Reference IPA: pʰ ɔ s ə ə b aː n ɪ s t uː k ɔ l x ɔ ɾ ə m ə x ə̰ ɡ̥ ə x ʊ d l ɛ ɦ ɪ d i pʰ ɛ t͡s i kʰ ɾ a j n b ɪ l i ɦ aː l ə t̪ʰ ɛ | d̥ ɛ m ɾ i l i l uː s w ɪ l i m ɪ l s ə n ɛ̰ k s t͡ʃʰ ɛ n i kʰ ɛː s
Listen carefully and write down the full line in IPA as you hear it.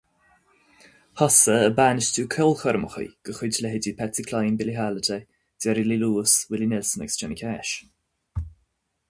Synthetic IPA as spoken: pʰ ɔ s ə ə b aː n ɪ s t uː kʰ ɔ l x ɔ ɾ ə m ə x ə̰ ɡ̥ ə x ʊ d l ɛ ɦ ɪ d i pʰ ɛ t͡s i kʰ l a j n b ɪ l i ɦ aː l ə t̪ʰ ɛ | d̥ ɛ ɾ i l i l uː s w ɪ l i n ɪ l s ə n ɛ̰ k s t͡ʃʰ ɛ n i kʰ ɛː ʃ